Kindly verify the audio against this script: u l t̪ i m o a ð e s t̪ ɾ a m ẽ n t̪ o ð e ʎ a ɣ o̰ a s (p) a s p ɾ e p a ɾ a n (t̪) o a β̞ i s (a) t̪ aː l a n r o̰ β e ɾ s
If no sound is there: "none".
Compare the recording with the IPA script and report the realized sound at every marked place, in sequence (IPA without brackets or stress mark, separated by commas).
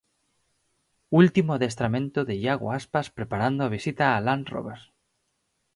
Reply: p, d̪, i